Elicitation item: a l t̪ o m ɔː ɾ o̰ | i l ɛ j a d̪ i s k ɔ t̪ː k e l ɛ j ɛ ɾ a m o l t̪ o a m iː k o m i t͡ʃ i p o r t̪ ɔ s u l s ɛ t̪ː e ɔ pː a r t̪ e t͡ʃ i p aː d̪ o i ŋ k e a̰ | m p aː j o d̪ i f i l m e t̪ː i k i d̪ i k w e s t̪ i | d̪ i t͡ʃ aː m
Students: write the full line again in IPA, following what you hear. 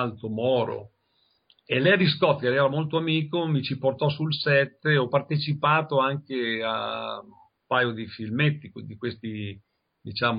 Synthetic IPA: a l t̪ o m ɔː ɾ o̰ | e l ɛ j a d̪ i s k ɔ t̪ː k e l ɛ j ɛ ɾ a m o l t̪ o a m iː k o m i t͡ʃ i p o r t̪ ɔ s u l s ɛ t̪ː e ɔ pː a r t̪ e t͡ʃ i p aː t̪ o a ŋ k e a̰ | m p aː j o d̪ i f i l m e t̪ː i k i d̪ i k w e s t̪ i | d̪ i t͡ʃ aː m